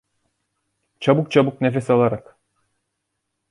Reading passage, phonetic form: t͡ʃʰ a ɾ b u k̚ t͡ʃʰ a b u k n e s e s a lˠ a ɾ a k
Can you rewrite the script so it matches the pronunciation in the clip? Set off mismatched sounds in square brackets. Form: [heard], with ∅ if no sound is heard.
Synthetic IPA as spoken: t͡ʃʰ a [∅] b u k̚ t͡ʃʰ a b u k n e [f] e s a lˠ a ɾ a k